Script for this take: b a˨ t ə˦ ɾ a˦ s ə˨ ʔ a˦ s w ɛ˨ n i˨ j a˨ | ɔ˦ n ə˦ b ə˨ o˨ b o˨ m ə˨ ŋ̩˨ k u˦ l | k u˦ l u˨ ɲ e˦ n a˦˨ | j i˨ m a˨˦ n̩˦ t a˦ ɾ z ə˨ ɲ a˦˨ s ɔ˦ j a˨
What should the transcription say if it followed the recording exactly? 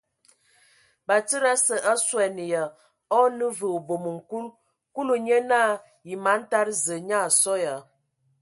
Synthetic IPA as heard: b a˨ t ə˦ ɾ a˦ s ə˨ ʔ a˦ s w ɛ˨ n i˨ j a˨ | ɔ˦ n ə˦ v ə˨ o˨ b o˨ m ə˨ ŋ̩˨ k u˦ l | k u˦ l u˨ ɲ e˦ n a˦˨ | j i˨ m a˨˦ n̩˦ t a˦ ɾ z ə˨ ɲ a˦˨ s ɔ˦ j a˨